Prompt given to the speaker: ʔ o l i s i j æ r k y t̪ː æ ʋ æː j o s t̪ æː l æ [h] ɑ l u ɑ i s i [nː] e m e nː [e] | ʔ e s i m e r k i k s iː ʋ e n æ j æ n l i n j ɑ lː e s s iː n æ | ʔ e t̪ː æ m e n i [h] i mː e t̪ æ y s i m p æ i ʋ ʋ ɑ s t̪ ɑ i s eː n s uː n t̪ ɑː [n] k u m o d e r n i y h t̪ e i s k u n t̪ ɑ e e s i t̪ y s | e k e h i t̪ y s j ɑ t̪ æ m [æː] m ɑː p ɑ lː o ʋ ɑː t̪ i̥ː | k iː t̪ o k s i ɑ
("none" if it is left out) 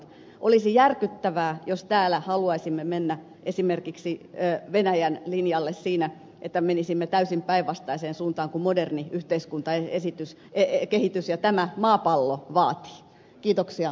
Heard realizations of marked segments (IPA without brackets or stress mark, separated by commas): h, mː, æ, s, ŋ, æ